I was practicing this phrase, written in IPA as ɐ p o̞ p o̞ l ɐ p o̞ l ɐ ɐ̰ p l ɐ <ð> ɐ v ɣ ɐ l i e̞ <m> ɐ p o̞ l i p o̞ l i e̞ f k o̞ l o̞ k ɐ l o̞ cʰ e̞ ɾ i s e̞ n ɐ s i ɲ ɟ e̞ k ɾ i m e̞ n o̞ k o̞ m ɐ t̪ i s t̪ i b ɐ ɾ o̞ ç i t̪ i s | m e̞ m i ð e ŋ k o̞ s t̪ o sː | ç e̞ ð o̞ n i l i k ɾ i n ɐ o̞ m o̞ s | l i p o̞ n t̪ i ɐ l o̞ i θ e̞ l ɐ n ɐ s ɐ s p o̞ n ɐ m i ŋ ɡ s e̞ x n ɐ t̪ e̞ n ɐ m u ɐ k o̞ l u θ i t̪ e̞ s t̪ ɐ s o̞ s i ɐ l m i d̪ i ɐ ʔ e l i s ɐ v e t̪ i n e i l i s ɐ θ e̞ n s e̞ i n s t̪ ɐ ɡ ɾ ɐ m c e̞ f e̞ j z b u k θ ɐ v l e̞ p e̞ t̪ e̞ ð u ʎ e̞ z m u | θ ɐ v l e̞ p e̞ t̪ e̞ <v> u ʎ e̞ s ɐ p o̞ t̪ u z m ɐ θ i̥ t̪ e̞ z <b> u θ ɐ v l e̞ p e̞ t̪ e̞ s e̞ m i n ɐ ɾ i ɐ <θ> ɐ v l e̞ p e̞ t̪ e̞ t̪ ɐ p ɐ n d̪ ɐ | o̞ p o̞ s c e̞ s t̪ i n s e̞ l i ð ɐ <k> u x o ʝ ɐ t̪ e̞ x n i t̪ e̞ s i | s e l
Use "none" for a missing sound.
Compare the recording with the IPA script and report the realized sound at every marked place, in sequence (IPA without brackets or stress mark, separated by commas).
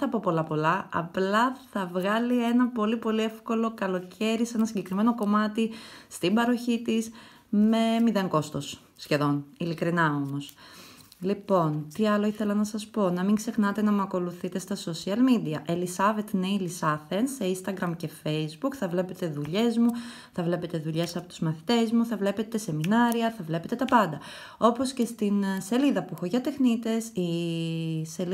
θ, n, ð, m, θ, p